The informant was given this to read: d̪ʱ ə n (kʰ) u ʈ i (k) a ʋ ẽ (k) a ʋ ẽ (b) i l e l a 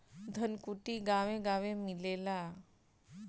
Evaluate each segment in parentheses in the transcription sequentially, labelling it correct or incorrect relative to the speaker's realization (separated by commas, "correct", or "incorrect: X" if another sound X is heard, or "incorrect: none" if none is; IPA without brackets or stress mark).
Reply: incorrect: k, incorrect: ɡ, incorrect: ɡ, incorrect: m